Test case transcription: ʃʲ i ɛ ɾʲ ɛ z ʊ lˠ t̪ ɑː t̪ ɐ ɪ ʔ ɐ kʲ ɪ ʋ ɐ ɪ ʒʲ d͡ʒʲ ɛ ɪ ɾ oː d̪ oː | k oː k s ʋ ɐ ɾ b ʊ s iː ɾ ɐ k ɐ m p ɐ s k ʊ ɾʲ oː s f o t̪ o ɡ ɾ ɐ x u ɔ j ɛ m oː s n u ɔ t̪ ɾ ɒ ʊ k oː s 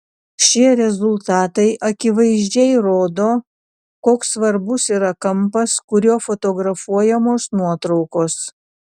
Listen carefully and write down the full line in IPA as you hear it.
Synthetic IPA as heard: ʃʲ i ɛ ɾʲ ɛ z ʊ lˠ t̪ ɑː t̪ ɐ ɪ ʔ ɐ kʲ ɪ ʋ ɐ ɪ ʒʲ d͡ʒʲ ɛ ɪ ɾ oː d̪ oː | k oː k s ʋ ɐ ɾ b ʊ s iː ɾ ɐ k ɐ m p ɐ s k ʊ ɾʲ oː f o t̪ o ɡ ɾ ɐ f u ɔ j ɛ m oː s n u ɔ t̪ ɾ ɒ ʊ k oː s